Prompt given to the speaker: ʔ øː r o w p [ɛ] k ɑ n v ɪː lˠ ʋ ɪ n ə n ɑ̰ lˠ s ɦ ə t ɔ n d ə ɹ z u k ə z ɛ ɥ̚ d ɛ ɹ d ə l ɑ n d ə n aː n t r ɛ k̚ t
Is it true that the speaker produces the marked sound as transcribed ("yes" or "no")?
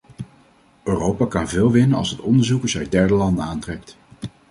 no